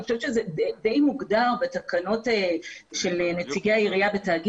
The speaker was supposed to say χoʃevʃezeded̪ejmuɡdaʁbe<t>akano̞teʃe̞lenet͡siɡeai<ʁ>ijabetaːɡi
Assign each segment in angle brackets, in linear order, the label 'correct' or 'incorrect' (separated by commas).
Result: correct, correct